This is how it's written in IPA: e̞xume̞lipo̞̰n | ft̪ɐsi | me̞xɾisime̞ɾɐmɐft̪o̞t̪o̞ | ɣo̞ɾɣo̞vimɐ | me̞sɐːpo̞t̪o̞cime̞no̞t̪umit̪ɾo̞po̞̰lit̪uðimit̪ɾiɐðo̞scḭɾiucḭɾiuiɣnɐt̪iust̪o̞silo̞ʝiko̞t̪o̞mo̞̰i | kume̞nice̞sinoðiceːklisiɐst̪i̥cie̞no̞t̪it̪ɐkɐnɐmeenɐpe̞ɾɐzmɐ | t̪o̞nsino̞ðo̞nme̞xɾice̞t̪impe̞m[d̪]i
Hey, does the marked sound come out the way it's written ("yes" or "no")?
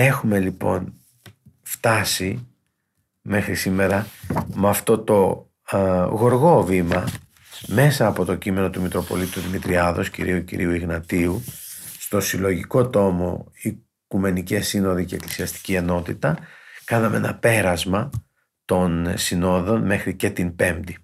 yes